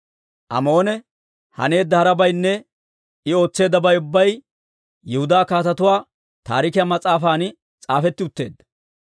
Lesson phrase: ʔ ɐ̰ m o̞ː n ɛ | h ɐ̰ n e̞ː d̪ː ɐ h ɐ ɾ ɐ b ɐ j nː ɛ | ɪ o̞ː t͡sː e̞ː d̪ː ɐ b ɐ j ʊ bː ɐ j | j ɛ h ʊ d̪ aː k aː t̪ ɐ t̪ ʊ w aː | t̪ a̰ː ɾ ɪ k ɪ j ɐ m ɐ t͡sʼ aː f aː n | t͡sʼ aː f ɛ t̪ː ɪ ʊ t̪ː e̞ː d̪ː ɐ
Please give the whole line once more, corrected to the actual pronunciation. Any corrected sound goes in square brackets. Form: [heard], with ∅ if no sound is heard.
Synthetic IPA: ʔ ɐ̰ m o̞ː n ɛ | h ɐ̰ n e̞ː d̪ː ɐ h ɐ ɾ ɐ b ɐ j nː ɛ | ɪ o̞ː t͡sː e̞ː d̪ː ɐ b ɐ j ʊ bː ɐ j | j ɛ h ʊ d̪ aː k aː t̪ ɐ t̪ ʊ w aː | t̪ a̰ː ɾ ɪ k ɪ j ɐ m ɐ t͡sʼ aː f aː n | t͡sʼ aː f ɛ t̪ː ɪ ʊ t̪ː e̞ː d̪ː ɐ